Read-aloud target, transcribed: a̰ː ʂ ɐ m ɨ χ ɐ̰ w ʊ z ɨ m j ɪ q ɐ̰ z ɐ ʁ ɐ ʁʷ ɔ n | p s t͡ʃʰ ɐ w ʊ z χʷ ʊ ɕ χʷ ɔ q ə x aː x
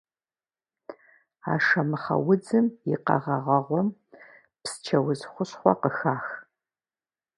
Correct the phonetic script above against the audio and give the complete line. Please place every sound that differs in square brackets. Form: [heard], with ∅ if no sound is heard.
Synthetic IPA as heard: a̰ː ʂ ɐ m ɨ χ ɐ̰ w ʊ [d͡z] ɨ m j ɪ q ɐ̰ [ʁ] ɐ ʁ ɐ ʁʷ ɔ [m] | p s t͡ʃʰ ɐ w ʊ z χʷ ʊ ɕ χʷ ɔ q ə x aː x